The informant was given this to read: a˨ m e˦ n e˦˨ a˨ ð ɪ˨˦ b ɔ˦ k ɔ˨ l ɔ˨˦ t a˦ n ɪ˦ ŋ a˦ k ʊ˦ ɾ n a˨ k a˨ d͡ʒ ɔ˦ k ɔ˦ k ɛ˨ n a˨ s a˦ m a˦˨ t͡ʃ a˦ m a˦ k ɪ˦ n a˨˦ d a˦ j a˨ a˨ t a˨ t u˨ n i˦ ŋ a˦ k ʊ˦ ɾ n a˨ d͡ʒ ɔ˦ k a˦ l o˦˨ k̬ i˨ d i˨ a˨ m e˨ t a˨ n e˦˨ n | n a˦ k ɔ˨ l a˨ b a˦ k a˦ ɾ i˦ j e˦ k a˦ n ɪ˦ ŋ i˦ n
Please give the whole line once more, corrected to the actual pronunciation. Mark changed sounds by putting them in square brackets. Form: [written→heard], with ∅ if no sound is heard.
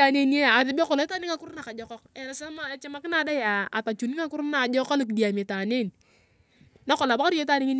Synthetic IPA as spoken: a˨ [m→n] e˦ n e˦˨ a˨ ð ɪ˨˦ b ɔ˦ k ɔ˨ l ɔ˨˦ t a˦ n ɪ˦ ŋ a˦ k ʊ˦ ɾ n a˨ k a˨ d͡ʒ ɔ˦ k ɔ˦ k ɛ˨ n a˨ s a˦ m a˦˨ t͡ʃ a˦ m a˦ k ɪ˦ n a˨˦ d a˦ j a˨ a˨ t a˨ [t→t͡ʃ] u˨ n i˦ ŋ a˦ k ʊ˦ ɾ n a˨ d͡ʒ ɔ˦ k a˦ l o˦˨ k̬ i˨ d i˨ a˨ m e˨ t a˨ n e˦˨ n | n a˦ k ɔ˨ l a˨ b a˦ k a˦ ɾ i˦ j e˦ [k→t] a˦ n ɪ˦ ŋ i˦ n